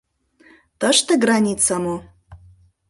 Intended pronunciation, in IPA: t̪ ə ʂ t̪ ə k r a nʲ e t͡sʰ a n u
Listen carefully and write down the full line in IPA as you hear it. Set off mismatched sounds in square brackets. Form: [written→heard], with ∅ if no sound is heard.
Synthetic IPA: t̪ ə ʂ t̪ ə [k→ɡ] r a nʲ [e→i] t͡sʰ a [n→m] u